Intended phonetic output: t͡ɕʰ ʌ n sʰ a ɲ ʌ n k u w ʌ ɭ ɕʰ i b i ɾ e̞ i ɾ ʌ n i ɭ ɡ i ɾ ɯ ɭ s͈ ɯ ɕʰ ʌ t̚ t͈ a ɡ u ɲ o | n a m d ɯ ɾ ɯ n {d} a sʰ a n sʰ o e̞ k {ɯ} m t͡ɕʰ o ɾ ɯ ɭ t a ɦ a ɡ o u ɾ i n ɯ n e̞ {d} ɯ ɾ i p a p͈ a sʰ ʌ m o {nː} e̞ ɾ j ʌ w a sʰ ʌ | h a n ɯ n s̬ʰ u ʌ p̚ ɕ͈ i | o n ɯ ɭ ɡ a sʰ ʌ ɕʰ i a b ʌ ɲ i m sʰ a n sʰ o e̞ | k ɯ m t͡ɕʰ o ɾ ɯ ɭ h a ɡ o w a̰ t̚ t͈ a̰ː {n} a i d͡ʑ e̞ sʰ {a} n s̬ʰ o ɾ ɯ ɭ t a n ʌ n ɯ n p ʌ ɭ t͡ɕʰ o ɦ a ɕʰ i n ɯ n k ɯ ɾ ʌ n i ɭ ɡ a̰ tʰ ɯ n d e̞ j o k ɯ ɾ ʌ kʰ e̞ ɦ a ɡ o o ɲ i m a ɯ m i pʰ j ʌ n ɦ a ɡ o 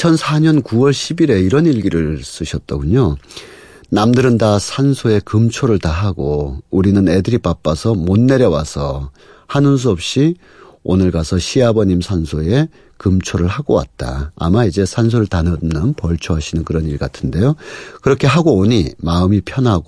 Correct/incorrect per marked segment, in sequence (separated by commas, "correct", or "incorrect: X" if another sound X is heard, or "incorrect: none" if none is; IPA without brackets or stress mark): correct, correct, correct, correct, incorrect: m, correct